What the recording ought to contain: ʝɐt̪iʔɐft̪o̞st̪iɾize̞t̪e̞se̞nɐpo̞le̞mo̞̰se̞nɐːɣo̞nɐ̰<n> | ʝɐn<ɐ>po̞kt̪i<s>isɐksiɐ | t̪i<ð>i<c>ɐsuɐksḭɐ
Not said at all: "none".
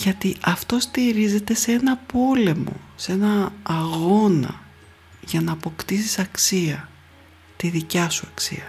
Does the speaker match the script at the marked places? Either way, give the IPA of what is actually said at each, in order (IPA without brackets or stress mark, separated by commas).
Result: none, ɐː, s, ð, c